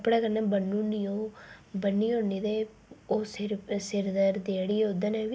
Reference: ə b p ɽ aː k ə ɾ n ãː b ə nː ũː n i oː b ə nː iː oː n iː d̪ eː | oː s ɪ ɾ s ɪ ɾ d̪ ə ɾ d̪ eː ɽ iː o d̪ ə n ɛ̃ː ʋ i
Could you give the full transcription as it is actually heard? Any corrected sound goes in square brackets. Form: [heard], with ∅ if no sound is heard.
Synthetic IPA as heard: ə [∅] p ɽ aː k ə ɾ n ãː b ə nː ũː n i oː b ə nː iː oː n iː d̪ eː | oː s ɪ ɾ s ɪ ɾ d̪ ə ɾ d̪ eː ɽ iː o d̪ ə n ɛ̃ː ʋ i